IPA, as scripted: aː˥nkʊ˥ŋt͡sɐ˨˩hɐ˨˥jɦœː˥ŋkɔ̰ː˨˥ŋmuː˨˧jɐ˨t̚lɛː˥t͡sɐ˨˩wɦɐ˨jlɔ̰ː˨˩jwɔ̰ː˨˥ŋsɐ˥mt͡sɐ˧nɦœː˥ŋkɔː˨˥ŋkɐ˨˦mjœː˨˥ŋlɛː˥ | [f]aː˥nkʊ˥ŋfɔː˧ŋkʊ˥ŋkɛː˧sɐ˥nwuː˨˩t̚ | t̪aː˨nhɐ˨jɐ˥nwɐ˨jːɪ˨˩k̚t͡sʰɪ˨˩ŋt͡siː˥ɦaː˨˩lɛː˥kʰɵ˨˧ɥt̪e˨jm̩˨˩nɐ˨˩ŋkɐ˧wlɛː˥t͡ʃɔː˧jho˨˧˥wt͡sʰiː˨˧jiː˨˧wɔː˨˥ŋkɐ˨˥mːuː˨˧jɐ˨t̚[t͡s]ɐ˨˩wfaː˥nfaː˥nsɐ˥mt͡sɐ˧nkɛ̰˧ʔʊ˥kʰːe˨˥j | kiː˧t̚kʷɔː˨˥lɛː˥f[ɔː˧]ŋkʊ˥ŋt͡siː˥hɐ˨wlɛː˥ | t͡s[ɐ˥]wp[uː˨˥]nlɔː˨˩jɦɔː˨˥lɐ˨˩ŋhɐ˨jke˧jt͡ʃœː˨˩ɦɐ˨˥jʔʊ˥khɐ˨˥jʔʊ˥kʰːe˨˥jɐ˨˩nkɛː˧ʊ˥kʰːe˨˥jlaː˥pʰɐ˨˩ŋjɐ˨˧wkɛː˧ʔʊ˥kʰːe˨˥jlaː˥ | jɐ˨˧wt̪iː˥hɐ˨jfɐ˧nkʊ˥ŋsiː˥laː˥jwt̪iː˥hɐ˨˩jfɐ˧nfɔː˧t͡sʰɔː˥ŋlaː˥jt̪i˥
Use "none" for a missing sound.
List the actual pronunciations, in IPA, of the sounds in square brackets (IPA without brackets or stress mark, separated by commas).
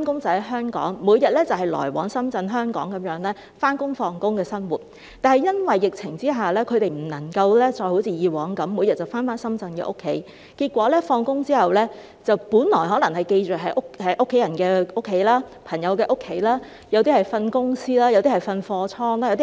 f, t͡s, ɔː˧, ɐ˨, uː˨˥